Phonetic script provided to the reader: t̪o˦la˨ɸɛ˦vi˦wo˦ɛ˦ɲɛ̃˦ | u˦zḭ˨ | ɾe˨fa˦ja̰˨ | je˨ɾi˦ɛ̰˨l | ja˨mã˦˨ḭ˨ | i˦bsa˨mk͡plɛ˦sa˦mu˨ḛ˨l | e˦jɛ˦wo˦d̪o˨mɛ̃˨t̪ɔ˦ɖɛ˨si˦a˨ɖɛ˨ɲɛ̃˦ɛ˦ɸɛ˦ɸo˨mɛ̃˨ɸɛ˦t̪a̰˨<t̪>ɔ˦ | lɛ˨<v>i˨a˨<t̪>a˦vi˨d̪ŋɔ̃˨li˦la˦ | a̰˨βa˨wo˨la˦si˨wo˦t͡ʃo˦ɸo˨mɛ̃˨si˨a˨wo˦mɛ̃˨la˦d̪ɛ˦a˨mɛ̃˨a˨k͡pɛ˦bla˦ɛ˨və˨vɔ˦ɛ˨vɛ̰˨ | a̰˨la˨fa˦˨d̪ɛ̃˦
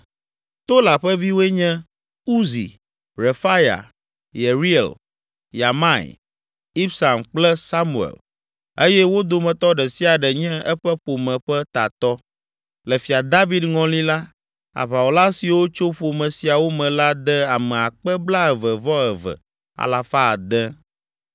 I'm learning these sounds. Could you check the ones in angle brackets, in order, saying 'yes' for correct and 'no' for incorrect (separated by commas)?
yes, no, no